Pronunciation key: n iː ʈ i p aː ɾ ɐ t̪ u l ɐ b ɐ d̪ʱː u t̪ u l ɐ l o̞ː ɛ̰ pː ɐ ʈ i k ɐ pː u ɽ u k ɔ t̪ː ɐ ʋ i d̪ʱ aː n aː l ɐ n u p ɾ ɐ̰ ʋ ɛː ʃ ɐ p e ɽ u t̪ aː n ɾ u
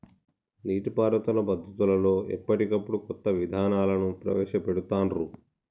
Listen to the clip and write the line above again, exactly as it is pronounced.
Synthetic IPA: n iː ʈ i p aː ɾ ɐ t̪ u l ɐ b ɐ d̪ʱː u t̪ u l ɐ l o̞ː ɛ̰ pː ɐ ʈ i k ɐ pː u ɽ u k ɔ t̪ː ɐ ʋ i d̪ʱ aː n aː l ɐ n u p ɾ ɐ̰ ʋ ɛː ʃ ɐ p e ɽ u t̪ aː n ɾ u